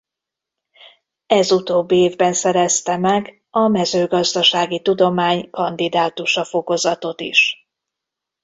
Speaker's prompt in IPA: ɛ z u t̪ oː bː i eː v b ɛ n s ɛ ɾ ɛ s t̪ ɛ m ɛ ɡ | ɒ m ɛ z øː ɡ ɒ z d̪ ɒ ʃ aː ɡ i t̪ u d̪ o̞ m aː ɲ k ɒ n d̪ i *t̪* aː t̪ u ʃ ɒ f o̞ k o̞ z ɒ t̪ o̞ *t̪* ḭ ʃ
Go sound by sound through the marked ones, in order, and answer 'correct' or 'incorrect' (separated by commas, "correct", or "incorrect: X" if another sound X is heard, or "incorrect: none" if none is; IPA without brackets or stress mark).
incorrect: d̪, correct